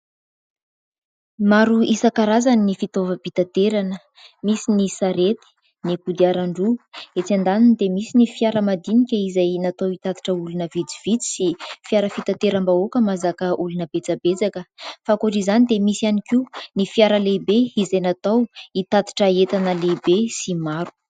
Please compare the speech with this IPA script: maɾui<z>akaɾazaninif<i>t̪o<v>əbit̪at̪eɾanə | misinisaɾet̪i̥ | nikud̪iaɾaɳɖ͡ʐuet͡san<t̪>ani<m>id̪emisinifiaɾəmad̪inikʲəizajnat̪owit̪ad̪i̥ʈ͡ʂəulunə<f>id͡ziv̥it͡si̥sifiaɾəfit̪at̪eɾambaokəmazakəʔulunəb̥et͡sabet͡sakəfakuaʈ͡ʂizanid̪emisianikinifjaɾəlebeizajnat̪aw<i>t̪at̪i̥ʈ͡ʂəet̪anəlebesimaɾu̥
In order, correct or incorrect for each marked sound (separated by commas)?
incorrect, correct, correct, incorrect, incorrect, incorrect, correct